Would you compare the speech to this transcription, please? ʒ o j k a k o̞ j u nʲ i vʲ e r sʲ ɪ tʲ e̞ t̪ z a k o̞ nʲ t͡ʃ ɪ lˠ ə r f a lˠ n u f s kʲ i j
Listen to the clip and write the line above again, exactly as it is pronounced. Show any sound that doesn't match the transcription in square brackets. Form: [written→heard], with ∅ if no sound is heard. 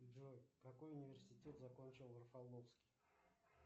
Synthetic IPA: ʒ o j k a k o̞ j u nʲ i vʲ e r sʲ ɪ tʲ e̞ t̪ z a k o̞ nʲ t͡ʃ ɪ lˠ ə r f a lˠ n [u→o] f s kʲ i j